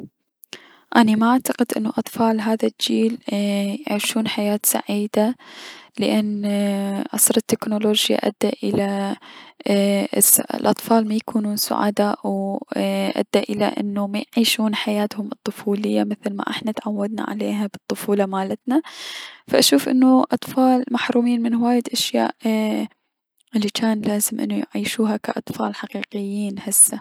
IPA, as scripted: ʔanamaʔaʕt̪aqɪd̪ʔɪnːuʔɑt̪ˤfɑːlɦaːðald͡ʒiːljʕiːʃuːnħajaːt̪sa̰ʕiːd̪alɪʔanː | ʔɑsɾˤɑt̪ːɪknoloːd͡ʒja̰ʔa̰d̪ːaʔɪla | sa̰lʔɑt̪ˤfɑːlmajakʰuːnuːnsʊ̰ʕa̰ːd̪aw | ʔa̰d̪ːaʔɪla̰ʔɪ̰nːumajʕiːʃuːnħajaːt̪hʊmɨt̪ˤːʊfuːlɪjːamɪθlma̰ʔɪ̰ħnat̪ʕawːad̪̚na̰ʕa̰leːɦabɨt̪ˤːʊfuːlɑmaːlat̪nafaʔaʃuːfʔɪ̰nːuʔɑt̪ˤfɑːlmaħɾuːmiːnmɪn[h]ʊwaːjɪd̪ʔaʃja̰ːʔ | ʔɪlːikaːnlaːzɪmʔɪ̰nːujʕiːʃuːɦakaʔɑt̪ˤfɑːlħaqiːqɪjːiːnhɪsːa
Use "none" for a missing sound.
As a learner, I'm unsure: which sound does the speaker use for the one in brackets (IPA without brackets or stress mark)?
h